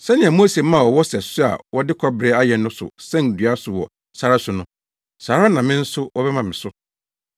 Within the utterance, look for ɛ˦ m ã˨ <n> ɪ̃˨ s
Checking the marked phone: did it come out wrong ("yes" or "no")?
yes